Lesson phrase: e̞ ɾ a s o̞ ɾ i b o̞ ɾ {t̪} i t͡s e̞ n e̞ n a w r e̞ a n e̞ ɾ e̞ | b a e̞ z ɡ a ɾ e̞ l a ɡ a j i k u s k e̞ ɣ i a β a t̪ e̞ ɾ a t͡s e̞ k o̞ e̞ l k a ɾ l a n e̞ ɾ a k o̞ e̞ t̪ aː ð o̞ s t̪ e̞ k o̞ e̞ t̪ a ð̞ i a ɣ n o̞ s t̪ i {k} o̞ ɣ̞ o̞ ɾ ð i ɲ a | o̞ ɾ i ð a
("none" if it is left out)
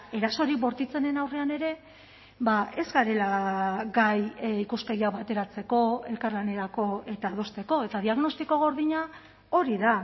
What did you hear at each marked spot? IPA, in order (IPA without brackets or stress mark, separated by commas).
t̪, k